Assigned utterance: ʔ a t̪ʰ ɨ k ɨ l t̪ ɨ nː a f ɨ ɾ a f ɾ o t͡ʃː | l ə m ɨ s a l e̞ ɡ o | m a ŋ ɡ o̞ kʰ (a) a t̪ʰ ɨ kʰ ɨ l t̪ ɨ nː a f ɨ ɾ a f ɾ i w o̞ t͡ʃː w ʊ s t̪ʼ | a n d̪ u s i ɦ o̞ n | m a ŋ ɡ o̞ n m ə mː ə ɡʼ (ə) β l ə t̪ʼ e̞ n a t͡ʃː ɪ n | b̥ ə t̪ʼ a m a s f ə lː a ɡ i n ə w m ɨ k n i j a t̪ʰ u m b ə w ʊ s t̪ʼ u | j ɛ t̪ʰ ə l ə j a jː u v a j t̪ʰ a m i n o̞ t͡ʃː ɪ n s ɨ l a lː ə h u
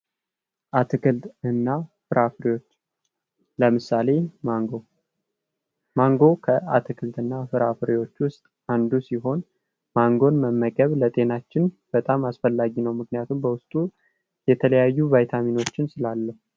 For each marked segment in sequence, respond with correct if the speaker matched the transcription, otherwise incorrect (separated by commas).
incorrect, correct